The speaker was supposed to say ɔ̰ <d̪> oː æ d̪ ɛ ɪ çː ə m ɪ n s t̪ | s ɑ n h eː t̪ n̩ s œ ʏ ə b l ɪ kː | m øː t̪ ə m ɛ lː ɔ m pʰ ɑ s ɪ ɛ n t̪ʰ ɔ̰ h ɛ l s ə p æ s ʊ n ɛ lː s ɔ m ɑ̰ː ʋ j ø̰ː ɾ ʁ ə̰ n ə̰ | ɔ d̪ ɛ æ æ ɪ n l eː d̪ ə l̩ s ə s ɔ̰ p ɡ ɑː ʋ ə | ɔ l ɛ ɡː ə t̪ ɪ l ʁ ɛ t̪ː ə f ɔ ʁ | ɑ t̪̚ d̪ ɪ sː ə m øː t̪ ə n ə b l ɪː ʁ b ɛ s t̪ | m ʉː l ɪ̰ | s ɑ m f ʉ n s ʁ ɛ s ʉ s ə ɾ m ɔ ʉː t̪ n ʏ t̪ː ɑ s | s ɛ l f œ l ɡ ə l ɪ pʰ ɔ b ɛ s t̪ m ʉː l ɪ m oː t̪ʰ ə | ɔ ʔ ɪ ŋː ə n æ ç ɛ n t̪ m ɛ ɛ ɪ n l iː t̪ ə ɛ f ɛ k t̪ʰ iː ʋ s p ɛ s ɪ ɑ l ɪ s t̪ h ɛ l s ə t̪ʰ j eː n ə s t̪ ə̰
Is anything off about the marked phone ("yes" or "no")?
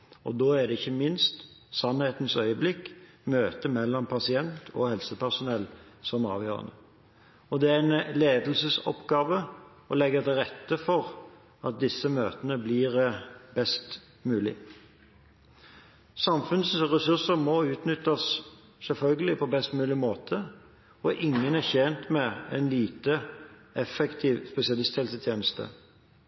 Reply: no